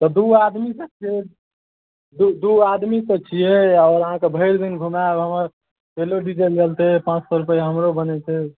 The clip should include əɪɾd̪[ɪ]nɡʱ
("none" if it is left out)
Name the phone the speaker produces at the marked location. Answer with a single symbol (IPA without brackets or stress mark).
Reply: i